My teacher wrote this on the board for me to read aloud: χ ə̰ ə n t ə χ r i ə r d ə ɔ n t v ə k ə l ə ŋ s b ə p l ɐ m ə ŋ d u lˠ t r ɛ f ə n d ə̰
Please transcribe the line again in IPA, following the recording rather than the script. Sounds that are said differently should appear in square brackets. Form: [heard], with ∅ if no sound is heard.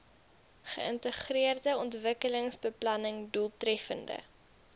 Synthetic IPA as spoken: χ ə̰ ə n t ə χ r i ə r d ə ɔ n t v ə k ə l ə ŋ s b ə p l ɐ [n] ə ŋ d u lˠ t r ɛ f ə n d ə̰